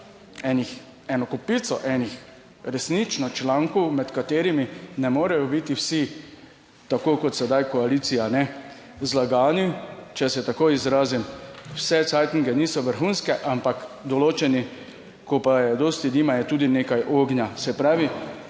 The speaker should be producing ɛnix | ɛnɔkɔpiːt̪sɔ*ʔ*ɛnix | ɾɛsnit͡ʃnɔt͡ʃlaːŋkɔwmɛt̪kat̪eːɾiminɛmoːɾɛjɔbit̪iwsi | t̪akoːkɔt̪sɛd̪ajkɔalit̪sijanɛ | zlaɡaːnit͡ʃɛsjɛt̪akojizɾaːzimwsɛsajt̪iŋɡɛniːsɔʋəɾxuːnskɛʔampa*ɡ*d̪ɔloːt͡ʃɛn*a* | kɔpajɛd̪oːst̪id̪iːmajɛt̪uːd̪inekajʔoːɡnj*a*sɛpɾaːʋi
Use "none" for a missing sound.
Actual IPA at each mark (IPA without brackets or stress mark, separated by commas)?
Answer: ʔ, k, i, a